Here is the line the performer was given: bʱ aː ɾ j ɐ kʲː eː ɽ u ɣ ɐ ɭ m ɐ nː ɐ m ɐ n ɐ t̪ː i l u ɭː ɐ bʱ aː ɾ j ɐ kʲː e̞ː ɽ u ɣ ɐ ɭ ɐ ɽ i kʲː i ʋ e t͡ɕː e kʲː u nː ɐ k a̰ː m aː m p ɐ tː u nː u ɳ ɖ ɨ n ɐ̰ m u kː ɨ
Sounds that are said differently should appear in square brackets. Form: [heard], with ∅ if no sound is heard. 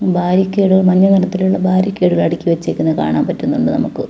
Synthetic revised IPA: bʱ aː ɾ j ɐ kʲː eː ɽ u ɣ ɐ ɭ m ɐ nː ɐ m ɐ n ɐ t̪ː i l u ɭː ɐ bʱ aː ɾ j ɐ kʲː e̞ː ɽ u ɣ ɐ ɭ ɐ ɽ i kʲː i ʋ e t͡ɕː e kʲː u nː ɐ k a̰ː [ɳ] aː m p ɐ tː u nː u ɳ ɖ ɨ n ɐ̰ m u kː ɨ